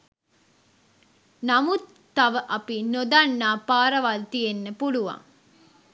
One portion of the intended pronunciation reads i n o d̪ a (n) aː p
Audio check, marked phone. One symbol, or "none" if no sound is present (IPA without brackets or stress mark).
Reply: nː